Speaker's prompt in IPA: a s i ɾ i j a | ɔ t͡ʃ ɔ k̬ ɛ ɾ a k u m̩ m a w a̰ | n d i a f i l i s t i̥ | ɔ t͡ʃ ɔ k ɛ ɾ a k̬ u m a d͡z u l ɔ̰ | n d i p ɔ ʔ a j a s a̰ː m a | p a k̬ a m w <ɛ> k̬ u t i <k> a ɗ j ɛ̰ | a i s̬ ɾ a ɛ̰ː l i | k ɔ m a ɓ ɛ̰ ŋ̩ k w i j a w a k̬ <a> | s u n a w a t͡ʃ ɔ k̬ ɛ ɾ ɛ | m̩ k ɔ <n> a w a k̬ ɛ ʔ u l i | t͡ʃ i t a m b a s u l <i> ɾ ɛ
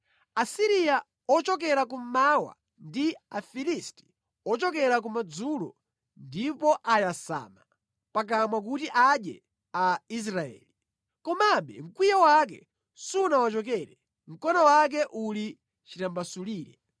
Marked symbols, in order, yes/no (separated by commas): no, no, no, yes, no